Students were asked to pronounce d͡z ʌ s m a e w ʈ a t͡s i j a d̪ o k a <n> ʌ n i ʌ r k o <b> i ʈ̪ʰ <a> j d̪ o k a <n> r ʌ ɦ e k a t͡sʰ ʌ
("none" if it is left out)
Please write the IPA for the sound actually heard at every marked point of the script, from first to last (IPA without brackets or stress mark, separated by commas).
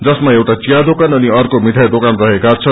n, m, a, n